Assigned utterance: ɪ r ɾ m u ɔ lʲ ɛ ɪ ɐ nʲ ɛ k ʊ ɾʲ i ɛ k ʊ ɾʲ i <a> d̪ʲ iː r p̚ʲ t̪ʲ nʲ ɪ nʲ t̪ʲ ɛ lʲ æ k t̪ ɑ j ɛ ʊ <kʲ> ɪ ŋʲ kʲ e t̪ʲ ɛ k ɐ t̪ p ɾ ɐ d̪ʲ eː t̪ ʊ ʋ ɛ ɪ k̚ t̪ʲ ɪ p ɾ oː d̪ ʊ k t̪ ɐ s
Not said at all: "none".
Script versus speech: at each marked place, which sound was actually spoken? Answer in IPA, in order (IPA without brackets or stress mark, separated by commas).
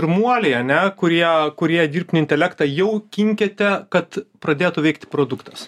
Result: ɛ, kʲ